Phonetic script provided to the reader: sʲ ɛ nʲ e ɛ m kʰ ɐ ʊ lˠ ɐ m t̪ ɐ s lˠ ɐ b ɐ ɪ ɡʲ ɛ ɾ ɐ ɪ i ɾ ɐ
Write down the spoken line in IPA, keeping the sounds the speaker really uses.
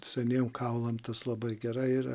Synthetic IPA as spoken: sʲ ɛ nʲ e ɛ m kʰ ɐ ʊ lˠ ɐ m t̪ ɐ s lˠ ɐ b ɐ ɪ ɡʲ ɛ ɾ ɐ ɪ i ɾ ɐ